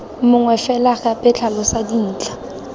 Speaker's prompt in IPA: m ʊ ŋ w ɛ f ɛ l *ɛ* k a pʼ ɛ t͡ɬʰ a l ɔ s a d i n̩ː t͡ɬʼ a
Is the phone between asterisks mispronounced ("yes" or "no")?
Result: yes